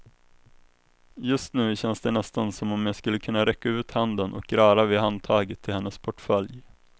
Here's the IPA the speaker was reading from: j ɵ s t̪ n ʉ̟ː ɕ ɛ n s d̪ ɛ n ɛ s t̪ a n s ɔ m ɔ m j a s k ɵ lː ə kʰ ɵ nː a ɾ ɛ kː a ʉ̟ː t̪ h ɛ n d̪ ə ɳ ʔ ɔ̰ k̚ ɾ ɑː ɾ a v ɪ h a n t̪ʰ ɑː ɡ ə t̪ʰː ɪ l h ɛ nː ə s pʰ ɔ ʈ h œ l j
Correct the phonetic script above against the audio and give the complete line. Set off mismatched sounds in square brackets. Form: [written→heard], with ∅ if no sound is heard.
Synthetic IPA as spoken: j ɵ s t̪ n ʉ̟ː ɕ ɛ n s d̪ ɛ n ɛ s t̪ a n s ɔ m ɔ m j a s k ɵ lː ə kʰ ɵ nː a ɾ ɛ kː a ʉ̟ː t̪ h [ɛ→a] n d̪ ə [ɳ→n] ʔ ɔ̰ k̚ ɾ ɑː ɾ a v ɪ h a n t̪ʰ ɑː ɡ ə t̪ʰː ɪ l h ɛ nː ə s pʰ ɔ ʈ [h→f] œ l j